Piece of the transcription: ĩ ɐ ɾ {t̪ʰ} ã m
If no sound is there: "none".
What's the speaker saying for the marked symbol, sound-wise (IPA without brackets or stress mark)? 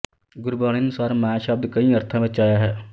t̪ʰ